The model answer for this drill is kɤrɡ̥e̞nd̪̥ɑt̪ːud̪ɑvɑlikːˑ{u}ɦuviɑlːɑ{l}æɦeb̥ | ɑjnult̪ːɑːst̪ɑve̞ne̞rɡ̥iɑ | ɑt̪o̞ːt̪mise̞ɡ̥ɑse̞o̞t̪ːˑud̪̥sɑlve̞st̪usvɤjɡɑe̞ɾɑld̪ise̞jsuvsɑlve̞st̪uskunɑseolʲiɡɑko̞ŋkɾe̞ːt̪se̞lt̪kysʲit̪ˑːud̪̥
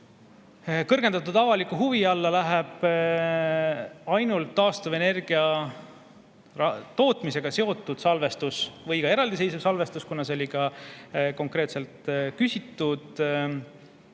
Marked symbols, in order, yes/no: yes, yes

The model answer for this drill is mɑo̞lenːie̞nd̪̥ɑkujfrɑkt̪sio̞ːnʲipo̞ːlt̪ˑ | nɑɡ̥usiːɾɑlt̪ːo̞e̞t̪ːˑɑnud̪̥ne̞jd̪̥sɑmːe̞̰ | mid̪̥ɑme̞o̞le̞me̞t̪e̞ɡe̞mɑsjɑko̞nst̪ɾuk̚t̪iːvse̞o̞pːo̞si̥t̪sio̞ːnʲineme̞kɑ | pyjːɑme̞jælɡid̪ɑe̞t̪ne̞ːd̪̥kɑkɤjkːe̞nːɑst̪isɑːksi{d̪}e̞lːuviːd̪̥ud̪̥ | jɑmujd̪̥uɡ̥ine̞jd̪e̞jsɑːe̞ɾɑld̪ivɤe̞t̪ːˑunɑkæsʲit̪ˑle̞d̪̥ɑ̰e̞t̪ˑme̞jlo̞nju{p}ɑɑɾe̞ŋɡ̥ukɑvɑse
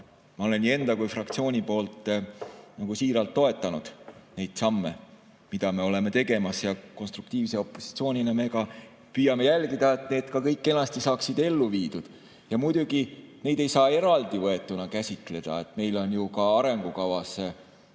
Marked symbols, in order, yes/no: yes, no

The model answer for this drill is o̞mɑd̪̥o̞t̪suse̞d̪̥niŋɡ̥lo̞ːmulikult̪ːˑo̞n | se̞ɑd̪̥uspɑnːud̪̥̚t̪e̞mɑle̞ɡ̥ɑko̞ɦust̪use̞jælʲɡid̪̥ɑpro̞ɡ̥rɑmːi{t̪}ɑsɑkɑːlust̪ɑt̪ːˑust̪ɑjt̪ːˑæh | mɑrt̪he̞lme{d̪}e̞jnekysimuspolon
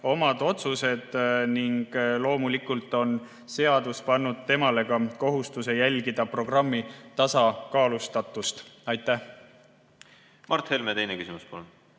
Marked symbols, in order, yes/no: yes, no

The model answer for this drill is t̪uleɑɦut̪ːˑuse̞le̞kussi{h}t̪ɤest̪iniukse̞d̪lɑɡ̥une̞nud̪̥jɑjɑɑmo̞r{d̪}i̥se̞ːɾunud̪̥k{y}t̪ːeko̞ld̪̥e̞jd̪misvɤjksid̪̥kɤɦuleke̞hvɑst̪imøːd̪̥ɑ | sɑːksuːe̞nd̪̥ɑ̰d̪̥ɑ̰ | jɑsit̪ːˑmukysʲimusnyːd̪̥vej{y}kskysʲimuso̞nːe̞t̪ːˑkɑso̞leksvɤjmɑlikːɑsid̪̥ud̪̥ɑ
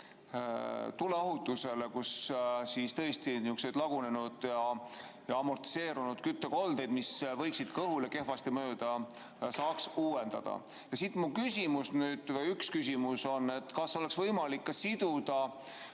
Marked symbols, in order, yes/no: no, no, yes, yes

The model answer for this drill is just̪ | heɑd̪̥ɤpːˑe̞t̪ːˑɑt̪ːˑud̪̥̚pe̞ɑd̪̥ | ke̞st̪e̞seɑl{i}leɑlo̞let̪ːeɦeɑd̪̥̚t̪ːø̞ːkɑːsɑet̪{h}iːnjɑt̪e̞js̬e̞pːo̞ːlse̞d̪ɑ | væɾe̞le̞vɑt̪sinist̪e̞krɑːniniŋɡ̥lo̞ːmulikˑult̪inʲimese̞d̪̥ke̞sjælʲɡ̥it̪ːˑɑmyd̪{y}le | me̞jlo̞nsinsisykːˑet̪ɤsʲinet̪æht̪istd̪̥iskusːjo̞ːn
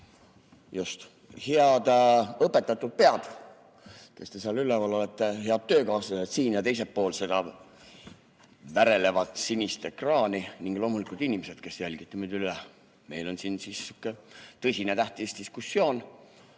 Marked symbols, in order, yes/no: no, no, yes

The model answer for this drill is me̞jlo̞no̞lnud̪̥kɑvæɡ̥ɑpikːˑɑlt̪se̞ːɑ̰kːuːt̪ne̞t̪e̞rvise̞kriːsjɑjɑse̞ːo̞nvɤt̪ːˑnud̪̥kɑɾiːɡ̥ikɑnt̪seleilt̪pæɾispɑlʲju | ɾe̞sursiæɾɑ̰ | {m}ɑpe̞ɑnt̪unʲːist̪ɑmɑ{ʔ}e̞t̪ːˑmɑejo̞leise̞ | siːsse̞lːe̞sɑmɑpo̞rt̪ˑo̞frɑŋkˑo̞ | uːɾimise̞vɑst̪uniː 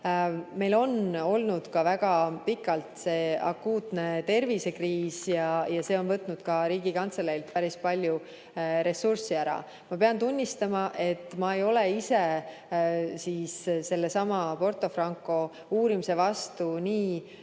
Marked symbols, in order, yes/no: yes, yes

